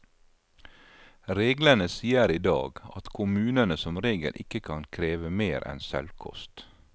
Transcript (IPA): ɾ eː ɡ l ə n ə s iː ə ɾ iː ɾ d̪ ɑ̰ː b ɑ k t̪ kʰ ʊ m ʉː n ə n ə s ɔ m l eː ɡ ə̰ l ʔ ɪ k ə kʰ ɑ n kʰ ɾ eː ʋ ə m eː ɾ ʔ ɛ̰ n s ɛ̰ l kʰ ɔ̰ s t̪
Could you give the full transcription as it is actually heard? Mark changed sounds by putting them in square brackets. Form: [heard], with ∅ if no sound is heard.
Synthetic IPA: ɾ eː ɡ l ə n ə s iː ə ɾ iː [∅] d̪ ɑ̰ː [ɡ] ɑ [∅] t̪ kʰ ʊ m ʉː n ə n ə s ɔ m [ɾ] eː ɡ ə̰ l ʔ ɪ k ə kʰ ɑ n kʰ ɾ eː ʋ ə m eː ɾ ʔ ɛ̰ n s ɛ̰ l kʰ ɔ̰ s t̪